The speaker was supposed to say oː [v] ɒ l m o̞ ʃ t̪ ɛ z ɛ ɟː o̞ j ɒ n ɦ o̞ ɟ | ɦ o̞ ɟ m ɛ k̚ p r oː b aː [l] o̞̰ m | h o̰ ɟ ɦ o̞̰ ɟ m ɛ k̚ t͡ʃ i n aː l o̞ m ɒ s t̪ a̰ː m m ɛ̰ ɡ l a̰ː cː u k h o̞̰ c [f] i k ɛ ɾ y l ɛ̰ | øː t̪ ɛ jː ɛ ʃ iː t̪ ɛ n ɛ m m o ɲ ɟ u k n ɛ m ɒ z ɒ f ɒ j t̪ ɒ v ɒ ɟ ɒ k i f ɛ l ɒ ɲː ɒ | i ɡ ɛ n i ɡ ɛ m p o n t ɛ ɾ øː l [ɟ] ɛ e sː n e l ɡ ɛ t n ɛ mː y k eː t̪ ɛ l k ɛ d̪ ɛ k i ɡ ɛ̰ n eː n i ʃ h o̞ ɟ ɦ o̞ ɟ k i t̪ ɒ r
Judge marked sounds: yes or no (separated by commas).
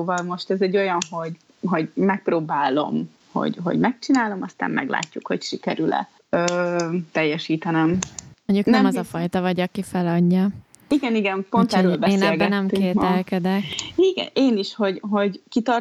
yes, yes, no, no